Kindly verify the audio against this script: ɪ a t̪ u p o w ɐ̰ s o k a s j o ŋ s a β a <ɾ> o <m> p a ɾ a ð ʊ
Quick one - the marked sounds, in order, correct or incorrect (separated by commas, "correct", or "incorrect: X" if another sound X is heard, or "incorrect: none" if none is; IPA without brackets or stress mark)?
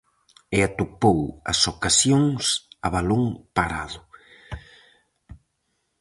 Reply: incorrect: l, incorrect: ŋ